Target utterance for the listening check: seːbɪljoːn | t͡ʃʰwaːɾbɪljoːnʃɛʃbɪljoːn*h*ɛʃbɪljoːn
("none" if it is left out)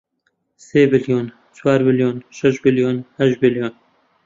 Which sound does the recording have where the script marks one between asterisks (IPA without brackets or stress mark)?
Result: h